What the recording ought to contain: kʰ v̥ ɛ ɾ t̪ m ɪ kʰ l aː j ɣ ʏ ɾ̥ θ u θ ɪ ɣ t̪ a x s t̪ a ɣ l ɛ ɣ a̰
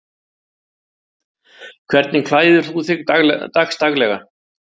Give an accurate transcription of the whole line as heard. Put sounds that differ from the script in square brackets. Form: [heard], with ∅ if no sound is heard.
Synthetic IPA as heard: kʰ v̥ ɛ ɾ t̪ [n] ɪ kʰ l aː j [ð] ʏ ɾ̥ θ u θ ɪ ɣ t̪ a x s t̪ a ɣ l ɛ ɣ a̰